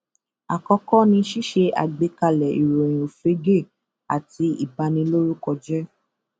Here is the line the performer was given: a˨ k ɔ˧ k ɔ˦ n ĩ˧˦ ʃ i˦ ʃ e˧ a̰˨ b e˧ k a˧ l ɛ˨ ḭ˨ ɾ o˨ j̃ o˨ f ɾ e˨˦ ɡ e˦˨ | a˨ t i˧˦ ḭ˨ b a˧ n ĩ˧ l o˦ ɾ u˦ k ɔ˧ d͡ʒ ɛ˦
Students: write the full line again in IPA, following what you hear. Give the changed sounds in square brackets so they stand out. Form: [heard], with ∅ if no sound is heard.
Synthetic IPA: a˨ k ɔ˧ k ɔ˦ n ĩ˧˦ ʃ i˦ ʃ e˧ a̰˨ [ɡ͡b] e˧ k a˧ l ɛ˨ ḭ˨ ɾ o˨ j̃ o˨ f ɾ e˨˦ ɡ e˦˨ | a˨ t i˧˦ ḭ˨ b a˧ n ĩ˧ l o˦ ɾ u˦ k ɔ˧ d͡ʒ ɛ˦